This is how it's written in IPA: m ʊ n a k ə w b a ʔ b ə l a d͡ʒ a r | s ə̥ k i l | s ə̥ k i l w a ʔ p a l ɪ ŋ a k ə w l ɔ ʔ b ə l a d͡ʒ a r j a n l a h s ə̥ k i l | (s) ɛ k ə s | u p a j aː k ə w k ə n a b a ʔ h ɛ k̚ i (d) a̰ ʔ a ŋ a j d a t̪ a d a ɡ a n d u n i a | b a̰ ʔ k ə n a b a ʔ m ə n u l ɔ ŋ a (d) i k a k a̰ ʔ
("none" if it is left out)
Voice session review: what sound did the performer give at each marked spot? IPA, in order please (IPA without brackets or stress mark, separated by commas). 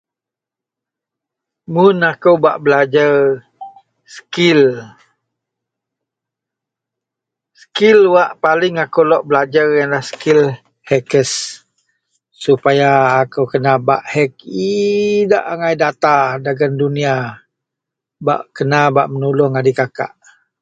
h, d, d